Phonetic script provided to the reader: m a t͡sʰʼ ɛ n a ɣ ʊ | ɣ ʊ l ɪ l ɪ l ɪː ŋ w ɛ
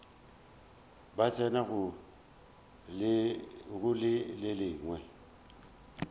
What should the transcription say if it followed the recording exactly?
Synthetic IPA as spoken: b a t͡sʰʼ ɛ n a ɣ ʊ | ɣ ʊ l ɪ l ɪ l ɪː ŋ w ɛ